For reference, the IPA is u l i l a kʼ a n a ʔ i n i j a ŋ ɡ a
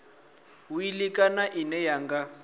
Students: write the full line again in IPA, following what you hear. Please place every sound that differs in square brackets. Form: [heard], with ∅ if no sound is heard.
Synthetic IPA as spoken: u [∅] i l [i] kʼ a n a ʔ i n [ɛ] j a ŋ ɡ a